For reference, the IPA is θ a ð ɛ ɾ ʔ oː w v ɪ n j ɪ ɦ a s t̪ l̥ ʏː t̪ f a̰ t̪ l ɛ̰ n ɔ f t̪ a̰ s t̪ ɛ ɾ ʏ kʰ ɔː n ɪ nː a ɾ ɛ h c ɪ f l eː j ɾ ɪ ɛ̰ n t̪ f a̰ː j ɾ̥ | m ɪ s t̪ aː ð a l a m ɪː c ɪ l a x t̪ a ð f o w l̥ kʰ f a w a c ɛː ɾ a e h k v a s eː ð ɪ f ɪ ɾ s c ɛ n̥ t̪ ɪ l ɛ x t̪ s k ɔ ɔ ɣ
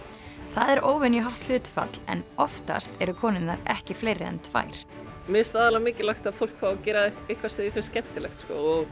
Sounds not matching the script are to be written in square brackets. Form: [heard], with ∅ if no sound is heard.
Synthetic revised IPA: θ a ð ɛ ɾ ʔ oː w v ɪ n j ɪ ɦ a [h] t̪ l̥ ʏː t̪ f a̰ t̪ l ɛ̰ n ɔ f t̪ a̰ s t̪ ɛ ɾ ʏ kʰ ɔː n ɪ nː a ɾ ɛ h c ɪ f l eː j ɾ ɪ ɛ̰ n t̪ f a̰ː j ɾ̥ | m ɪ s t̪ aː ð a l a m ɪː c ɪ l a x t̪ a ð f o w l̥ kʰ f a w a c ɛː ɾ a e h k v a s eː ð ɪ f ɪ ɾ s c ɛ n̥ t̪ ɪ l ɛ x t̪ s k ɔ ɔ ɣ